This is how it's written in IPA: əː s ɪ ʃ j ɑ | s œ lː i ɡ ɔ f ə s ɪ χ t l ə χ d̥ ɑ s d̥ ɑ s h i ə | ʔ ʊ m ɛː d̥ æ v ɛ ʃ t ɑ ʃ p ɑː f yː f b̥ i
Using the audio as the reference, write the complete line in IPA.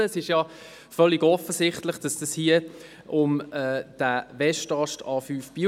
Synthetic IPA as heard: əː s ɪ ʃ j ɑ | f œ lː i ɡ ɔ f ə s ɪ χ t l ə χ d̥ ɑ s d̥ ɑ s h i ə | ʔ ʊ m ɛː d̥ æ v ɛ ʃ t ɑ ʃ t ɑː f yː f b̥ i